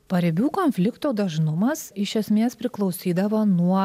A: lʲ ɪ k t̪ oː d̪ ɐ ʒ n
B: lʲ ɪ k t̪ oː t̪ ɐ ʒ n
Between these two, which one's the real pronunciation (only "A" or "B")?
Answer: A